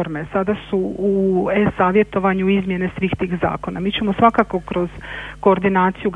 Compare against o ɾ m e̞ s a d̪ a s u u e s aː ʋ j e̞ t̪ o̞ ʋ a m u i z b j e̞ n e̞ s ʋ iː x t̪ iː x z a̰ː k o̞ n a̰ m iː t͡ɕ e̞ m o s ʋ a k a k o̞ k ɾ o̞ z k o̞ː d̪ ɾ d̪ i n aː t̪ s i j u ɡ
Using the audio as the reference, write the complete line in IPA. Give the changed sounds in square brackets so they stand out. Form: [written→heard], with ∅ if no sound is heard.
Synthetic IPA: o ɾ m e̞ s a d̪ a s u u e s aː ʋ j e̞ t̪ o̞ ʋ a [m→ɲ] u i z [b→m] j e̞ n e̞ s ʋ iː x t̪ iː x z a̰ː k o̞ n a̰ m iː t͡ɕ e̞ m o s ʋ a k a k o̞ k ɾ o̞ z k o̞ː [d̪→∅] ɾ d̪ i n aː t̪ s i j u ɡ